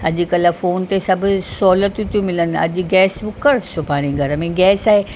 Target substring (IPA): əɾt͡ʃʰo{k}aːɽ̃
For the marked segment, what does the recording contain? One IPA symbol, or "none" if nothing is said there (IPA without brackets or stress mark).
p